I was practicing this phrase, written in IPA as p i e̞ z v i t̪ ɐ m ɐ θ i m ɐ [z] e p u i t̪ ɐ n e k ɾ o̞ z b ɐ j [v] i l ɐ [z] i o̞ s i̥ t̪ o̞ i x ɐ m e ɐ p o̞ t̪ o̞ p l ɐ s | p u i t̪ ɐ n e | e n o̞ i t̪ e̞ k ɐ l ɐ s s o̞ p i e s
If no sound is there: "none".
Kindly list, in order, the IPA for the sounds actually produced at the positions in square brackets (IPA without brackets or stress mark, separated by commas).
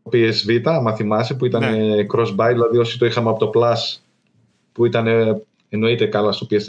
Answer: s, ð, ð